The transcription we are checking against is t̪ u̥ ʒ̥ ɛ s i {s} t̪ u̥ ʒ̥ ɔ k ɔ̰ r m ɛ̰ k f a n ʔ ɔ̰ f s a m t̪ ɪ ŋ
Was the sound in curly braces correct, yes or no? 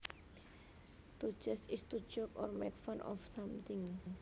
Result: yes